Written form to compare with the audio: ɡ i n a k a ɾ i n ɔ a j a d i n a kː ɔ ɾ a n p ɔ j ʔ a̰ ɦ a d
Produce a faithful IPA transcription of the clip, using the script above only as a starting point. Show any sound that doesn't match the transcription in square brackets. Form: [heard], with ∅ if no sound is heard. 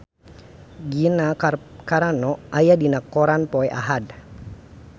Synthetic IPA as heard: ɡ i n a k a ɾ [a] n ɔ a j a d i n a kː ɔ ɾ a n p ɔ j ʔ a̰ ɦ a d